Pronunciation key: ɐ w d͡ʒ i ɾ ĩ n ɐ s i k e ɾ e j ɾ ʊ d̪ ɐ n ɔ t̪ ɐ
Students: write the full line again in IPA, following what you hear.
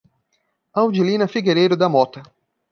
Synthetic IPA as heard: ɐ w d͡ʒ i l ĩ n ɐ f i ɡ e ɾ e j ɾ ʊ d̪ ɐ m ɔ t̪ ɐ